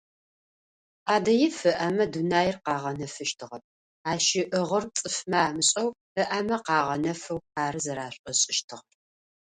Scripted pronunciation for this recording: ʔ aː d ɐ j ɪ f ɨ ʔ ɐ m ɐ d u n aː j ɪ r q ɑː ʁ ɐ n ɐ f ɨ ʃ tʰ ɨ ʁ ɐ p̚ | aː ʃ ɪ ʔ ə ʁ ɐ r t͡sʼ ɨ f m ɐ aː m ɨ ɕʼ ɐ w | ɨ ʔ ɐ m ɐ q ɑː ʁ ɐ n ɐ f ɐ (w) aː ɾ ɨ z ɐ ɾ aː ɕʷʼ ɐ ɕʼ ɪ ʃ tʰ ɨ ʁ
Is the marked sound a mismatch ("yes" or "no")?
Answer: no